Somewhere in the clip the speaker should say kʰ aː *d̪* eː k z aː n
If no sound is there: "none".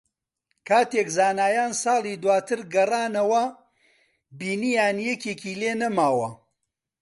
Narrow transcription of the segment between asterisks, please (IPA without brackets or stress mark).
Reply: t̪